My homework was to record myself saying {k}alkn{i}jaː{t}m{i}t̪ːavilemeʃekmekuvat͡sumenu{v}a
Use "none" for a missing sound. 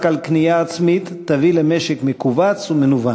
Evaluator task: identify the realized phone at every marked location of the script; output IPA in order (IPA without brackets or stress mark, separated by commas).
k, i, t͡s, i, v